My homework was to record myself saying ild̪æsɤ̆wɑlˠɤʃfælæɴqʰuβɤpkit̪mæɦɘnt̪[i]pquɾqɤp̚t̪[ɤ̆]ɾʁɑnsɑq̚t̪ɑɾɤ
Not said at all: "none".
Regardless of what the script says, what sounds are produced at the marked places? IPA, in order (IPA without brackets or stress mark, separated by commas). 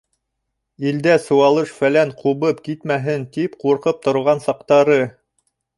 i, ŏ